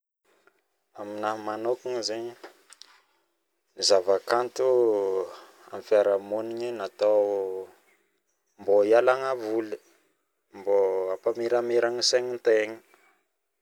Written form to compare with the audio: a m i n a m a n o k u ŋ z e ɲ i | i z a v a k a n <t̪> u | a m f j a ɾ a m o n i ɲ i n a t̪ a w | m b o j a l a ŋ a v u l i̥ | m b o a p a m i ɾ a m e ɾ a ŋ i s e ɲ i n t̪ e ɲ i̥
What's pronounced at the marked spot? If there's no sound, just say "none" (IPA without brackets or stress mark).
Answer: t̪